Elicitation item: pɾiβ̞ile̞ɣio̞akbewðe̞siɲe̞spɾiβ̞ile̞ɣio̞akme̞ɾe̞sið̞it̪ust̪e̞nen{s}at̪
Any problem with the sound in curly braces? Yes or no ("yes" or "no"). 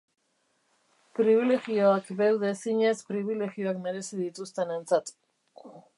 yes